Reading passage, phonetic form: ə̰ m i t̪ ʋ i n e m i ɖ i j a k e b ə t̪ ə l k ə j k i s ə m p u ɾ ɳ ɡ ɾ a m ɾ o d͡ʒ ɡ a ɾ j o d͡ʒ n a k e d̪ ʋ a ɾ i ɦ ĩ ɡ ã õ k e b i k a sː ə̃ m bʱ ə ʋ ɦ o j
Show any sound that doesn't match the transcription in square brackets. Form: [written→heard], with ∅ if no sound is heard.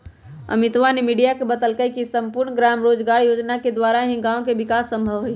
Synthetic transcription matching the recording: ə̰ m i t̪ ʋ [i→a] n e m i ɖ i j a k e b ə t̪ ə l k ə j k i s ə m p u ɾ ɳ ɡ ɾ a m ɾ o d͡ʒ ɡ a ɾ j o d͡ʒ n a k e d̪ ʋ a ɾ [i→a] ɦ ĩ ɡ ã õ k e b i k a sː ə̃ m bʱ ə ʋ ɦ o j

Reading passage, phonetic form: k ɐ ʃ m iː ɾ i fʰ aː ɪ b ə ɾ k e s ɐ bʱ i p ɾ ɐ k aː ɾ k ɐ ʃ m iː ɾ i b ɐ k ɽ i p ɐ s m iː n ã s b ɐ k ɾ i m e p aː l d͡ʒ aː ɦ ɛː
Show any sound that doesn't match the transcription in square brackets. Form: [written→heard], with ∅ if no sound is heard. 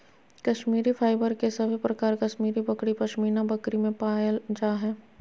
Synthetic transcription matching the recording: k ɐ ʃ m iː ɾ i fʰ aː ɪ b ə ɾ k e s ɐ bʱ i p ɾ ɐ k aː ɾ k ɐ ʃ m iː ɾ i b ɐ k ɽ i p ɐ [s→ʃ] m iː n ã [s→∅] b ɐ k ɾ i m [e→ẽ] p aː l d͡ʒ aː ɦ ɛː

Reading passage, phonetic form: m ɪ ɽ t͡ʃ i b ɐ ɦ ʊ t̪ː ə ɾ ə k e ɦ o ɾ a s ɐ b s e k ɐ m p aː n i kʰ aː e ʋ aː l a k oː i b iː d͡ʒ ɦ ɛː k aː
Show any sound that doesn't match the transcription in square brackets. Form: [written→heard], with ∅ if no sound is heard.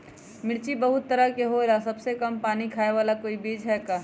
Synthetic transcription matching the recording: m ɪ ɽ t͡ʃ i b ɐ ɦ ʊ t̪ː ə ɾ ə k e ɦ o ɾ a s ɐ b s e k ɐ m p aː n i kʰ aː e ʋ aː l a k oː i b iː d͡ʒ ɦ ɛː k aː

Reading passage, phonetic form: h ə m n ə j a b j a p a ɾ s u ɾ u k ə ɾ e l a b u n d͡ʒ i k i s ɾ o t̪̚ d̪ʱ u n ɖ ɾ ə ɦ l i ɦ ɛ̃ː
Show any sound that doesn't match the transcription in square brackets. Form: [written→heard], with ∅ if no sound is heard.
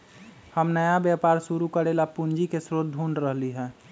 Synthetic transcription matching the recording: h ə m n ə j a b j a p a ɾ s u ɾ u k ə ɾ e l a [b→p] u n d͡ʒ i k [i→e] s ɾ o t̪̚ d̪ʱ u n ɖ ɾ ə ɦ l i ɦ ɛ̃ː

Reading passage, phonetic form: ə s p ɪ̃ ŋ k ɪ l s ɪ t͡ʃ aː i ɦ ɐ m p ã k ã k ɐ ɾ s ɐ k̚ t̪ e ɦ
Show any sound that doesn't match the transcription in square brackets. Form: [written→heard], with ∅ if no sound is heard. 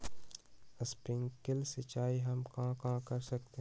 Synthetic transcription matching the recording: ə s p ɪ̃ ŋ k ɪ l s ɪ t͡ʃ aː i ɦ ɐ m [p→k] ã k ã k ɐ ɾ s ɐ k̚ t̪ e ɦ

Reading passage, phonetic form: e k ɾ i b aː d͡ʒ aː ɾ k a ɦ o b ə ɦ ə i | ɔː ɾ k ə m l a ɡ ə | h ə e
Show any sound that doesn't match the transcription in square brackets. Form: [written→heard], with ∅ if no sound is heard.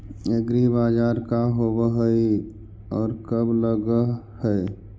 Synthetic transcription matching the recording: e [k→ɡ] ɾ i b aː d͡ʒ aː ɾ k a ɦ o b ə ɦ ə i | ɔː ɾ k ə [m→b] l [a→ə] ɡ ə | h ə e

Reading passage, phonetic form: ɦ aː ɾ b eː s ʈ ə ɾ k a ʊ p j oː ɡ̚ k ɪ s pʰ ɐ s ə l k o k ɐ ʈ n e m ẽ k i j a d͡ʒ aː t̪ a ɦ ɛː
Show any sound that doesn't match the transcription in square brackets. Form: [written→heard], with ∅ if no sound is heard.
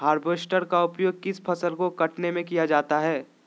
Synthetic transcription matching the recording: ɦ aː ɾ b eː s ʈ ə ɾ k a ʊ p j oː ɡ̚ k ɪ s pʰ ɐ s ə l k o k ɐ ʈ n e m ẽ k i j a d͡ʒ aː t̪ a ɦ ɛː

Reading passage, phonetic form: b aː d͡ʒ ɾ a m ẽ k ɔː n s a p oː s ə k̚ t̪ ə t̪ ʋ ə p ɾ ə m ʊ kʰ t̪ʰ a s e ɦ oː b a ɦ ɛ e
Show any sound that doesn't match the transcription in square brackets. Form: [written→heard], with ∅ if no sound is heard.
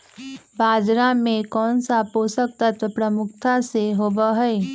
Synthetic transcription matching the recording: b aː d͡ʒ ɾ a m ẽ k ɔː n s a p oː s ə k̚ t̪ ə t̪ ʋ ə p ɾ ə m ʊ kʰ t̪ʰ a s e ɦ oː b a ɦ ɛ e

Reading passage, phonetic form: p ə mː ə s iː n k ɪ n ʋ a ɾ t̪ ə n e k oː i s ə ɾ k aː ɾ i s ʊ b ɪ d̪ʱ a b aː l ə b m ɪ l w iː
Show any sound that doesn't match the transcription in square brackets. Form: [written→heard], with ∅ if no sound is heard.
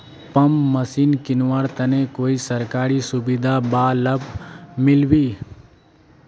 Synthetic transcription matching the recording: p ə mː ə s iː n k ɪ n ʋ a ɾ t̪ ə n e k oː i s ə ɾ k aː ɾ i s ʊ b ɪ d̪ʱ a b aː l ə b m ɪ l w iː

